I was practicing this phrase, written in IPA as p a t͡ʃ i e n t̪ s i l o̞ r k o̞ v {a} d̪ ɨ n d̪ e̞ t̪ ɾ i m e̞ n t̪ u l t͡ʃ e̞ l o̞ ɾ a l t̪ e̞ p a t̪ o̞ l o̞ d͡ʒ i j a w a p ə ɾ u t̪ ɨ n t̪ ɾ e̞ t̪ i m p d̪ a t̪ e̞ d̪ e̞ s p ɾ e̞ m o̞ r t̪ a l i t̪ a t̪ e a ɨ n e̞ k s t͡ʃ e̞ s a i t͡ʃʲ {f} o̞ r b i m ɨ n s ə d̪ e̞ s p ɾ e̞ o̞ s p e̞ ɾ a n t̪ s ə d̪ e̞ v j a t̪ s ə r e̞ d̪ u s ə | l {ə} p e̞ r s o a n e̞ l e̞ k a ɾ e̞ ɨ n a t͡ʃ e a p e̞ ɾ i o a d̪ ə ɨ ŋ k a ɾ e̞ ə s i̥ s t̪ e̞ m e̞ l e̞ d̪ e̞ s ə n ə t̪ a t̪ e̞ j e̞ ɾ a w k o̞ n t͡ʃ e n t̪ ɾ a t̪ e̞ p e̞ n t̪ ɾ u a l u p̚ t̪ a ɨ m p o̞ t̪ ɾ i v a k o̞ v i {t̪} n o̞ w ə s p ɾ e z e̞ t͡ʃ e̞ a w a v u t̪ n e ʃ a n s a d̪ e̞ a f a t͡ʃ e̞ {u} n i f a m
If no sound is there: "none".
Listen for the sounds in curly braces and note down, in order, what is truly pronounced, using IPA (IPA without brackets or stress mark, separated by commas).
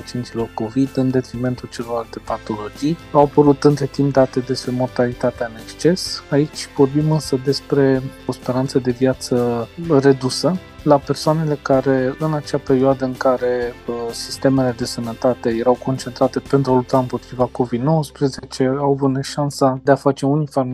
i, v, a, d̪, u